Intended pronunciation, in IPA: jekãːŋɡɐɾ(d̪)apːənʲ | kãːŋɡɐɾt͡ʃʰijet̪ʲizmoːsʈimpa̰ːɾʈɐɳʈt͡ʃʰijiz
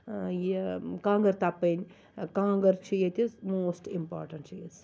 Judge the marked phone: incorrect: t̪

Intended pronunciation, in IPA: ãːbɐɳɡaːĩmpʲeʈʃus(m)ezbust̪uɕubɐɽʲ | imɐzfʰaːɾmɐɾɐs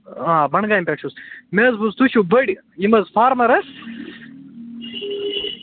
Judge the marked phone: correct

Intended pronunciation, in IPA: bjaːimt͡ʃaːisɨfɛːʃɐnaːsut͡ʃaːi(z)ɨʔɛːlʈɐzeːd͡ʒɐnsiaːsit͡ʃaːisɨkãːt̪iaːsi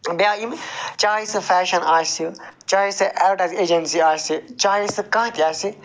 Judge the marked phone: incorrect: s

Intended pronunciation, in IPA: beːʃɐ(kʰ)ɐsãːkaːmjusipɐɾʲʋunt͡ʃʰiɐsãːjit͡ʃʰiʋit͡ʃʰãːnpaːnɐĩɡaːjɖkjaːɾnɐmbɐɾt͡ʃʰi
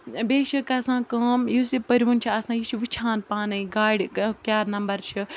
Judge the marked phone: incorrect: k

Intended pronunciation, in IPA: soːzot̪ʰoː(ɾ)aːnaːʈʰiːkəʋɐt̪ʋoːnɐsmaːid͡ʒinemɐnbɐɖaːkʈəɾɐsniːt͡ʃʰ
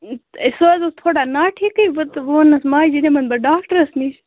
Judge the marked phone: incorrect: ɽ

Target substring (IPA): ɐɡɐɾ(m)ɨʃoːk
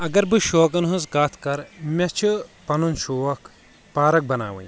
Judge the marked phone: incorrect: b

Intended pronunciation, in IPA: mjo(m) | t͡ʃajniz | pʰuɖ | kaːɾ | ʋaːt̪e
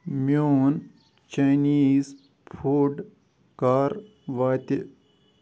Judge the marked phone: incorrect: n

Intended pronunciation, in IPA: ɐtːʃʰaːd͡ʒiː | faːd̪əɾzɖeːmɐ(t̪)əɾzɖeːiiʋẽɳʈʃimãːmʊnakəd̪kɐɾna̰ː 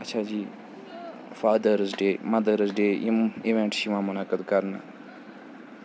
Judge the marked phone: incorrect: d̪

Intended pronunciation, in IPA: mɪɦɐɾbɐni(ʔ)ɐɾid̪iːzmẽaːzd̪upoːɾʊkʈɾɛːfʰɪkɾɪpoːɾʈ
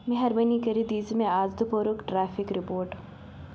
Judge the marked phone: incorrect: k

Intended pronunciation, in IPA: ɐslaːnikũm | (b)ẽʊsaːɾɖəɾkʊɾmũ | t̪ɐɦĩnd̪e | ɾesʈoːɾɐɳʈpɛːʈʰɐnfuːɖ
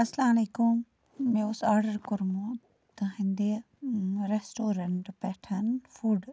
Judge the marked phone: incorrect: m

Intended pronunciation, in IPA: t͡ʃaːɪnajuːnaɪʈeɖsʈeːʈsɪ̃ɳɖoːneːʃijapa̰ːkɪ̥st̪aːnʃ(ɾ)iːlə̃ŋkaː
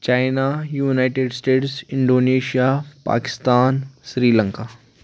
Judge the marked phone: correct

